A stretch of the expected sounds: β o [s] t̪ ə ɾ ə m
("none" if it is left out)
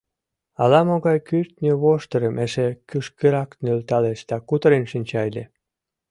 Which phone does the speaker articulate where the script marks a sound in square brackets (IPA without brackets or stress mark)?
ʃ